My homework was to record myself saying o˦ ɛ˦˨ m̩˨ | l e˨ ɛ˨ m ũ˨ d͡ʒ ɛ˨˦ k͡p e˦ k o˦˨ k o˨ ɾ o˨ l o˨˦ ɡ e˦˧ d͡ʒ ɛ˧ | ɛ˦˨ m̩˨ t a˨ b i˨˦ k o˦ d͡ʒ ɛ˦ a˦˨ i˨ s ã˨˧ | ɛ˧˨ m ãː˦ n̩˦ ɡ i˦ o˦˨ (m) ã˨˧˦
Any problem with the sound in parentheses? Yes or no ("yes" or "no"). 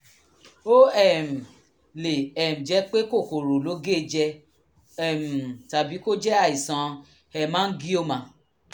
no